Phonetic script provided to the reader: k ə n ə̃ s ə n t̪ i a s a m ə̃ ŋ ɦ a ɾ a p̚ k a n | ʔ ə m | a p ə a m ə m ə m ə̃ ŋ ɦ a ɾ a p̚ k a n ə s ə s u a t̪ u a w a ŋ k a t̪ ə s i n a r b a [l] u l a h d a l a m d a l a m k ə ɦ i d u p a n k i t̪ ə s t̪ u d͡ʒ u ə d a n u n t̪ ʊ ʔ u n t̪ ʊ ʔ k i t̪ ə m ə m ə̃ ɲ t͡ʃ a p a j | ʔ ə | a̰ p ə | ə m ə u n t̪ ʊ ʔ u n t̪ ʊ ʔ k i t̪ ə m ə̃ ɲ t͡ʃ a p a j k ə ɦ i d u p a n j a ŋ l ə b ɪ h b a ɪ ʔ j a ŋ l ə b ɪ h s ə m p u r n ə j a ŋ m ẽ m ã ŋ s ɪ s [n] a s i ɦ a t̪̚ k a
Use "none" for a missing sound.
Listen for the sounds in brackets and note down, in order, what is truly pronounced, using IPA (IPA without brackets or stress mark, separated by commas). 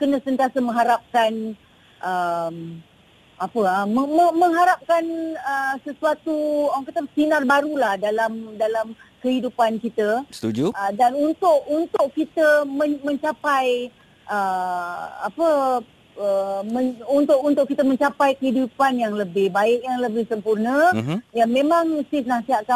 ɾ, n